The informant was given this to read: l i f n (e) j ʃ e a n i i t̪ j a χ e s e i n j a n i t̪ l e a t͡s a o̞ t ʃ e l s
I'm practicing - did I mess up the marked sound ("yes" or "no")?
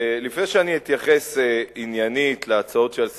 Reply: no